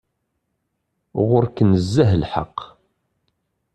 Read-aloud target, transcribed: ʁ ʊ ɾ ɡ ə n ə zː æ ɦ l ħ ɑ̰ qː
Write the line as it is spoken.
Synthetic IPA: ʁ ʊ ɾ k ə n ə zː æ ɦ l ħ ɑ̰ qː